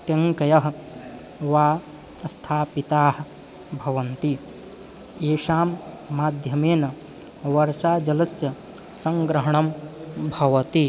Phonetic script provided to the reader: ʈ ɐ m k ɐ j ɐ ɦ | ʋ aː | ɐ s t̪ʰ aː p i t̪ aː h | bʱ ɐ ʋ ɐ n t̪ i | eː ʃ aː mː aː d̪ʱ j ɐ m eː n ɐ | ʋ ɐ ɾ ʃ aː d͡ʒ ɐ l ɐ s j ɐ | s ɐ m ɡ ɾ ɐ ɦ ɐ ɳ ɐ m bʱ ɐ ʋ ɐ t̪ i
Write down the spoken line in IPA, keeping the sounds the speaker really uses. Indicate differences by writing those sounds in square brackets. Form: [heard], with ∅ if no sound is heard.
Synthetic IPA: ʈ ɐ [ŋ] k ɐ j ɐ ɦ | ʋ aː | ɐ s t̪ʰ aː p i t̪ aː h | bʱ ɐ ʋ ɐ n t̪ i | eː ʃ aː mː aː d̪ʱ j ɐ m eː n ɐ | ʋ ɐ ɾ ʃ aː d͡ʒ ɐ l ɐ s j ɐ | s ɐ [ŋ] ɡ ɾ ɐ ɦ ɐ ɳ ɐ m bʱ ɐ ʋ ɐ t̪ i